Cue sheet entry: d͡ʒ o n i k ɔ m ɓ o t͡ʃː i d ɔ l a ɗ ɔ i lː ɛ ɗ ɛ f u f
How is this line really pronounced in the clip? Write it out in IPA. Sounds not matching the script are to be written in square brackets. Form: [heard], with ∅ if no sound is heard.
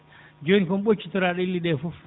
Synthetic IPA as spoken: d͡ʒ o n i k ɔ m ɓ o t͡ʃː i [t] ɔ [ɾ] a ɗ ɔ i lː [i] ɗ ɛ f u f